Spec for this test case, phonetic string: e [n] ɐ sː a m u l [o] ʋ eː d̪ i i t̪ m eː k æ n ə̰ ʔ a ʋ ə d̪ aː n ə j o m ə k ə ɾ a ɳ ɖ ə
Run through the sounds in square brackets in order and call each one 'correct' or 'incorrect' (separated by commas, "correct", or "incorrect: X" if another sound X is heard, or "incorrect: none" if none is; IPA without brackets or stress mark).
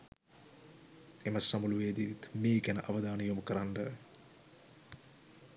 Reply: incorrect: m, incorrect: u